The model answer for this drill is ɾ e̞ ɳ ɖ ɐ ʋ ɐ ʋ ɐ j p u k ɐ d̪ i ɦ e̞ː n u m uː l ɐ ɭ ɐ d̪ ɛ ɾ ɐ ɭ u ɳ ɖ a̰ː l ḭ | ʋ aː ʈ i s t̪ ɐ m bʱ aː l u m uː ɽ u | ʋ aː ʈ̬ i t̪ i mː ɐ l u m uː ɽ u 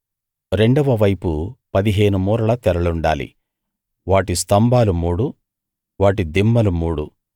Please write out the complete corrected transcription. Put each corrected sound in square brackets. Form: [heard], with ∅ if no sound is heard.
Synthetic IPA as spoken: ɾ e̞ ɳ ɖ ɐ ʋ ɐ ʋ ɐ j p u [p] ɐ d̪ i ɦ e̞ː n u m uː [ɾ] ɐ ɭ ɐ [t̪] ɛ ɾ ɐ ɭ u ɳ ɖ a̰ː l ḭ | ʋ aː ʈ i s t̪ ɐ m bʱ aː l u m uː ɽ u | ʋ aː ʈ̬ i [d̪] i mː ɐ l u m uː ɽ u